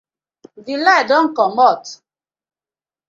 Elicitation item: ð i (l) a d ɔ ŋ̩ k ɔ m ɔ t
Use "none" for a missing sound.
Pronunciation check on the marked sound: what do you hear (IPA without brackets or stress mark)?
l